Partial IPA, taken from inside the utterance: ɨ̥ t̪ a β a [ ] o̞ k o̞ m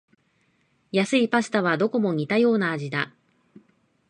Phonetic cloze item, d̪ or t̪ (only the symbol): d̪